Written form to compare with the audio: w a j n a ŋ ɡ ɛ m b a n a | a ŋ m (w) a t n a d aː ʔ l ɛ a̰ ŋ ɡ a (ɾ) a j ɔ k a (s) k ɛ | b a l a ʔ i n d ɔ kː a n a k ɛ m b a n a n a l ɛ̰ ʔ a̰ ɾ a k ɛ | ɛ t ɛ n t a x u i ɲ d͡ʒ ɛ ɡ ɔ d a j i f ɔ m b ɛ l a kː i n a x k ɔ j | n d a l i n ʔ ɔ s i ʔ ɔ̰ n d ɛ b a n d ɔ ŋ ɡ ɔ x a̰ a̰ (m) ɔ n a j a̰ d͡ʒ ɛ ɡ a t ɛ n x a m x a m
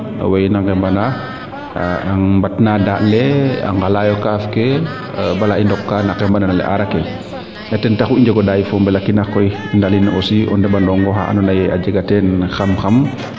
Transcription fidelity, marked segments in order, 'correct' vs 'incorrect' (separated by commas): incorrect, incorrect, incorrect, incorrect